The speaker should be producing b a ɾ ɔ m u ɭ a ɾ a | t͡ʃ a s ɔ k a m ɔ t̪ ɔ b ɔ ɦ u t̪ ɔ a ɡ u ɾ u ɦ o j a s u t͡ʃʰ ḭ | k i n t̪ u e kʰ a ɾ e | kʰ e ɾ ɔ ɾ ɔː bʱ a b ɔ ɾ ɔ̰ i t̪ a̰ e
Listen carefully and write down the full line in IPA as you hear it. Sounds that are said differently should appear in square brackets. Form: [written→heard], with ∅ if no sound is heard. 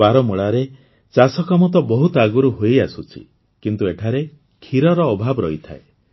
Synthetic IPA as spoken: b a ɾ ɔ m u ɭ a ɾ [a→e] | t͡ʃ a s ɔ k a m ɔ t̪ ɔ b ɔ ɦ u t̪ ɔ a ɡ u ɾ u ɦ o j a s u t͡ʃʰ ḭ | k i n t̪ u e [kʰ→ʈʰ] a ɾ e | kʰ [e→i] ɾ ɔ ɾ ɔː bʱ a b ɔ ɾ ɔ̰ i [t̪→t̪ʰ] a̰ e